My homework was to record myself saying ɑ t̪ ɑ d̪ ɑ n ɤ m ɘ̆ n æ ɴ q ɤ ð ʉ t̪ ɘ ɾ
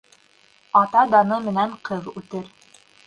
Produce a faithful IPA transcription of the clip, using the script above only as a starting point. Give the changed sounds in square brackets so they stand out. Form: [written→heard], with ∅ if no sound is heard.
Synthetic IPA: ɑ t̪ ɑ d̪ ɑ n ɤ m ɘ̆ n æ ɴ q ɤ ð ʉ t̪ ɘ ɾ